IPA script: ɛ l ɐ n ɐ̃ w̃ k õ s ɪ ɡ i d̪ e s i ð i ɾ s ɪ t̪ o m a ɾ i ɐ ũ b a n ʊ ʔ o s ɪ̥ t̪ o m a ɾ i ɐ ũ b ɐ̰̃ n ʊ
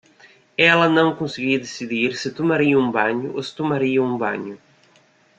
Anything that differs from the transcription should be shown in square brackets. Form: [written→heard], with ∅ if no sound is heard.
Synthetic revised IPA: ɛ l ɐ n ɐ̃ w̃ k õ s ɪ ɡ i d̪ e s i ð i ɾ s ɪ t̪ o m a ɾ i ɐ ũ b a [n→ɲ] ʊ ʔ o s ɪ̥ t̪ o m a ɾ i ɐ ũ b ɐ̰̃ [n→ɲ] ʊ